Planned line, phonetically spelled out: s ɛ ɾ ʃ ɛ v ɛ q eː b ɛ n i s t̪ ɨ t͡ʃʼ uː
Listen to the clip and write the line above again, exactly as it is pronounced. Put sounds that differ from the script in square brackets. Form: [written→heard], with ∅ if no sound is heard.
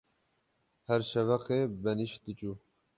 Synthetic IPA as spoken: [s→h] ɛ ɾ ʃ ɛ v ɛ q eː b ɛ n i [s→ʃ] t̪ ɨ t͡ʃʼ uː